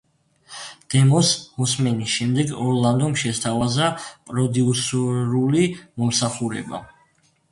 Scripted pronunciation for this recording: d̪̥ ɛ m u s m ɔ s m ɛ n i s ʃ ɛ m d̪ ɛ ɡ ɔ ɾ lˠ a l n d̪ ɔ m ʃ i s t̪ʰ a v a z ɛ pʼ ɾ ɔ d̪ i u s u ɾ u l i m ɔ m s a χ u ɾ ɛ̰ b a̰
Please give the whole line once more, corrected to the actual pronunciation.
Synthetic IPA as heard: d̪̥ ɛ m ɔ s m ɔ s m ɛ n i s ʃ ɛ m d̪ ɛ ɡ ɔ ɾ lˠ a n d̪ ɔ m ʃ ɛ s t̪ʰ a v a z a pʼ ɾ ɔ d̪ i u s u ɾ u l i m ɔ m s a χ u ɾ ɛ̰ b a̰